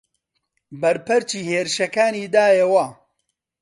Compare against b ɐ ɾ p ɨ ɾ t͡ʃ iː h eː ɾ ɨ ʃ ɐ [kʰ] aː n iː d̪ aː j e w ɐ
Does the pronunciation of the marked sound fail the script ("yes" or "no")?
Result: yes